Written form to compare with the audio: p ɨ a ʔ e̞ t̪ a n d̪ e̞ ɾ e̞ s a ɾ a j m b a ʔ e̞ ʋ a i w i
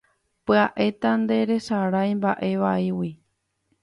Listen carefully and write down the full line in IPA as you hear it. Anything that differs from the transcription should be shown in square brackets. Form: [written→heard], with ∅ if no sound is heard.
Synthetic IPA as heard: p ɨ a ʔ e̞ t̪ a n d̪ e̞ ɾ e̞ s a ɾ a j m b a ʔ e̞ ʋ a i w i